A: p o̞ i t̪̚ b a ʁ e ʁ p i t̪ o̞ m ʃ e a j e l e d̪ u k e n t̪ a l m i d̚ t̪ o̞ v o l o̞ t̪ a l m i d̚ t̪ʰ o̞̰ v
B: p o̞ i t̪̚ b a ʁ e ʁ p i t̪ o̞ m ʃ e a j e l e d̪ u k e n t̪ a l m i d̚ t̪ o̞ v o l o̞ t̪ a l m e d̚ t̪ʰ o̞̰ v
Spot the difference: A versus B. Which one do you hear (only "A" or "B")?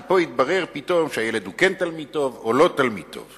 A